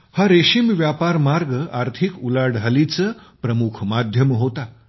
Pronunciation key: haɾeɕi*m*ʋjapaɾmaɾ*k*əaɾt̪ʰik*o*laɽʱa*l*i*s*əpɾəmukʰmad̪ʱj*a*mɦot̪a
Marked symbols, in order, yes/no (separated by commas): yes, no, no, yes, no, no